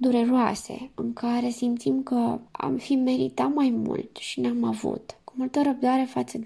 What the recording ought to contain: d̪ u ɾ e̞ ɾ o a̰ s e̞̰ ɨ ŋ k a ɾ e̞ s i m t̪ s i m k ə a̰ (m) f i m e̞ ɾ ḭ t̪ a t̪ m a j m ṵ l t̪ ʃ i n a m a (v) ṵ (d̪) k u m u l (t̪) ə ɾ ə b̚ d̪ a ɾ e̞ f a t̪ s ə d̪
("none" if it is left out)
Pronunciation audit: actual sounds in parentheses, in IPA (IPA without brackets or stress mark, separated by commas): m, v, t̪, t̪